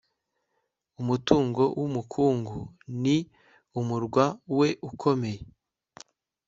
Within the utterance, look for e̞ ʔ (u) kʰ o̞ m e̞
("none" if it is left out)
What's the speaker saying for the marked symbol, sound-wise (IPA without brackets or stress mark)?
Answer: u